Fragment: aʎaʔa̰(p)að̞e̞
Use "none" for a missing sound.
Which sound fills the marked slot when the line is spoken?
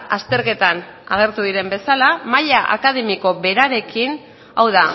k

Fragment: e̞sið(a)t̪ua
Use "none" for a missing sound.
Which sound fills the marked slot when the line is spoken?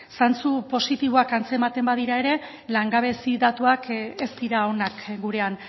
a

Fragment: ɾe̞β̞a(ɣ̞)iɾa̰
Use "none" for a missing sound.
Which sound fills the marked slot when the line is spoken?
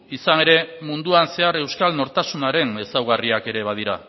ð̞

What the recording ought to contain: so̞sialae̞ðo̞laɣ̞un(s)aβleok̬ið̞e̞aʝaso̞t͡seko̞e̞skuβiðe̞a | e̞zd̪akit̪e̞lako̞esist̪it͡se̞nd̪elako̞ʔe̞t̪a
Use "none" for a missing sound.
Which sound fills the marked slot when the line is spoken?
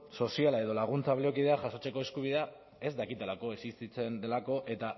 t͡s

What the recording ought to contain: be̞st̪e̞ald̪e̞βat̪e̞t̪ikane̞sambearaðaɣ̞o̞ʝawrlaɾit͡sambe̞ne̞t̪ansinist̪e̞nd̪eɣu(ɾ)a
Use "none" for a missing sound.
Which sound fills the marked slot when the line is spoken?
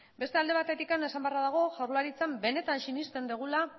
l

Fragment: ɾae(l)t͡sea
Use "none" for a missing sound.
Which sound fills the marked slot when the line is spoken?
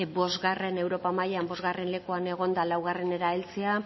l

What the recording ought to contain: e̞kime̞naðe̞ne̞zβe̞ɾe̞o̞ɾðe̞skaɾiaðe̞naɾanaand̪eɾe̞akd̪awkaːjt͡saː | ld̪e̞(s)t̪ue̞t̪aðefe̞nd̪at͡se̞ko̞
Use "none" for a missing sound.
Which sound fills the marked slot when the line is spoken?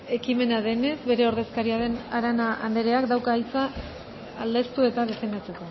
s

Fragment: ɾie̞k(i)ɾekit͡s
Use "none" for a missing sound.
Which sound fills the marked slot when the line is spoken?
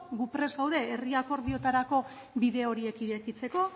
i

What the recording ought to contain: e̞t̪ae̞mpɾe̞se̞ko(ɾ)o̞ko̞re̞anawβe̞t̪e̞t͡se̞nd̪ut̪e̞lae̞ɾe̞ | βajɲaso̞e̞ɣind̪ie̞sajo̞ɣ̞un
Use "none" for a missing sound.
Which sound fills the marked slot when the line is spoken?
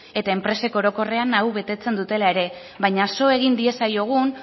ɾ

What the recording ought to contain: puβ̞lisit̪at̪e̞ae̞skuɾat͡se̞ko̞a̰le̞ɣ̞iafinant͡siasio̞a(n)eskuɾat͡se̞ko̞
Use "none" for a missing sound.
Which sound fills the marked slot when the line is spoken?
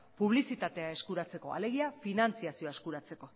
none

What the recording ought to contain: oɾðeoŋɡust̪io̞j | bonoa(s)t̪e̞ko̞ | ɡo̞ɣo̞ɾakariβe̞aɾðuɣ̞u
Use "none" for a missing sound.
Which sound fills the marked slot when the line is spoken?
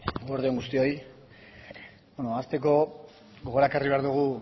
s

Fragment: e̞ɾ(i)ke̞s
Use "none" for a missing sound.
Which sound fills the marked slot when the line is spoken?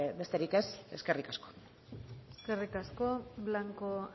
i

